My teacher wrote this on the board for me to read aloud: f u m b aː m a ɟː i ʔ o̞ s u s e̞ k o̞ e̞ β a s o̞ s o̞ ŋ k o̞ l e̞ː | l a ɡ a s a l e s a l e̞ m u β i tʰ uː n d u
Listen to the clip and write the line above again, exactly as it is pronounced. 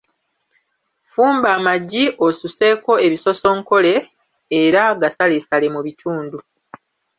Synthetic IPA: f uː m b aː m a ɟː i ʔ o̞ s u s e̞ k o̞ e̞ β i s o̞ s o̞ ŋ k o̞ l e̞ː | ɾ a ɡ a s a l e s a l e̞ m u β i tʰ uː n d u